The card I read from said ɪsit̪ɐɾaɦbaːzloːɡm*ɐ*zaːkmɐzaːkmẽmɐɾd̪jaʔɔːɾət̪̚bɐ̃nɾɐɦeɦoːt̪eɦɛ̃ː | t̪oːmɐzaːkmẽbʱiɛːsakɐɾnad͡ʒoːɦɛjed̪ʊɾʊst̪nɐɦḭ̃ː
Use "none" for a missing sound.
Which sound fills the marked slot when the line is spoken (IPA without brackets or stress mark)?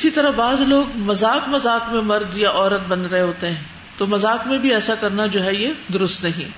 ɐ